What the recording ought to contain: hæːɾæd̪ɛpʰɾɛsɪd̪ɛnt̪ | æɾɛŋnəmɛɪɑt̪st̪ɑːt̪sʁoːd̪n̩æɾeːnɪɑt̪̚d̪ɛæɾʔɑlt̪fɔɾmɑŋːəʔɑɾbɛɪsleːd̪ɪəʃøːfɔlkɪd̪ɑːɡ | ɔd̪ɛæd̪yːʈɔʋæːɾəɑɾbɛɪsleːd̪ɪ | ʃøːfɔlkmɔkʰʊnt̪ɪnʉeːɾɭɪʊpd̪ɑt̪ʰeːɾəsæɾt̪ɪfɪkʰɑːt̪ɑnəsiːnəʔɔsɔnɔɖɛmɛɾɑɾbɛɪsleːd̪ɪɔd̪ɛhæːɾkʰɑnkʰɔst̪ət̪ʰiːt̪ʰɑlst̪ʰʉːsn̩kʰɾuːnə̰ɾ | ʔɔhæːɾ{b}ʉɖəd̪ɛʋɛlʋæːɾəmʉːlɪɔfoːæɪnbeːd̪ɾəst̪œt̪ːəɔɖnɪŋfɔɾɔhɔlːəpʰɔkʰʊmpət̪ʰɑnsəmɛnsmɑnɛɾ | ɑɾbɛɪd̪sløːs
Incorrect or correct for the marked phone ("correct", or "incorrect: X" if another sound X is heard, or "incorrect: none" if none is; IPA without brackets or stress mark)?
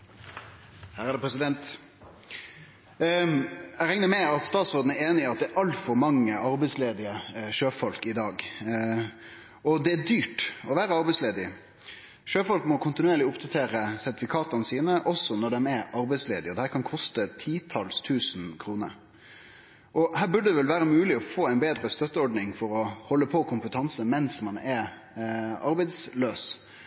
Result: correct